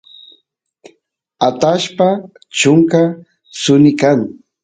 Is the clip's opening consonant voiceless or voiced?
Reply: voiceless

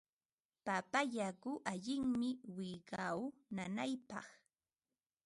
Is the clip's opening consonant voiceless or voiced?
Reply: voiceless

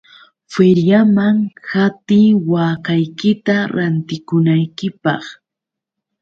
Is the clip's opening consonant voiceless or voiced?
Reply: voiceless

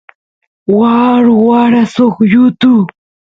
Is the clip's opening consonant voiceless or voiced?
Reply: voiced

